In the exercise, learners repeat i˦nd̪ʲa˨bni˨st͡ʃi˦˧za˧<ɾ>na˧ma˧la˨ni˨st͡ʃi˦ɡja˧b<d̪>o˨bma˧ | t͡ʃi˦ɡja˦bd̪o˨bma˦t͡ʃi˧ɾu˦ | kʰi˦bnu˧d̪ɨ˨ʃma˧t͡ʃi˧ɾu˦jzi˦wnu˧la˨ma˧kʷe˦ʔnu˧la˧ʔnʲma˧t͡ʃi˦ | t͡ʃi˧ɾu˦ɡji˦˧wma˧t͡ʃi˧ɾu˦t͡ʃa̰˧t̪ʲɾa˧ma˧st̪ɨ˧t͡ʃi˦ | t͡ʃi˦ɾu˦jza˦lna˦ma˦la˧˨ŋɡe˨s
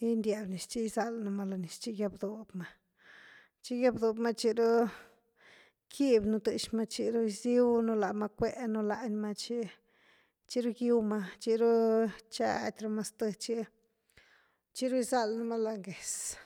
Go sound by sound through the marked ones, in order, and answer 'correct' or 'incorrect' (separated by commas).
incorrect, correct